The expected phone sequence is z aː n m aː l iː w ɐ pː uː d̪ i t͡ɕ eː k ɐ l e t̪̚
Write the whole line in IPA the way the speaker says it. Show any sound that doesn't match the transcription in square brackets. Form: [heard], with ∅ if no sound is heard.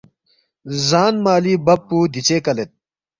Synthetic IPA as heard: z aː n m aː l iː [b] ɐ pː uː d̪ i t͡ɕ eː k ɐ l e t̪̚